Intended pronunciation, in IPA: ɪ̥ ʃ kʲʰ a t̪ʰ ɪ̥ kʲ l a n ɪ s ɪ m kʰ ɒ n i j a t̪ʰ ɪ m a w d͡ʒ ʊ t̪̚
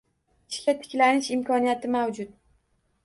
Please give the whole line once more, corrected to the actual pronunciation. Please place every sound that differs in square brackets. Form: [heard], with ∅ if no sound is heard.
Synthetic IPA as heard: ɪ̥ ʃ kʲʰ a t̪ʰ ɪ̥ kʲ l a n ɪ [ʃ] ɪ m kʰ ɒ n i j a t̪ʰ ɪ m a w d͡ʒ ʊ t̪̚